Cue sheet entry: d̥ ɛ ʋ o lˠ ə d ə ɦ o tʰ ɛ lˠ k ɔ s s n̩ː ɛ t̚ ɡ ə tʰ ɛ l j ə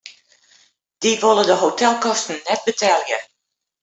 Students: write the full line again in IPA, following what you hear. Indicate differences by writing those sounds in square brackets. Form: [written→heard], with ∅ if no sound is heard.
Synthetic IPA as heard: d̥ [ɛ→i] ʋ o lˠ ə d ə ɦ o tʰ ɛ lˠ k ɔ s [s→t] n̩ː ɛ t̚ [ɡ→b] ə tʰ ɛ l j ə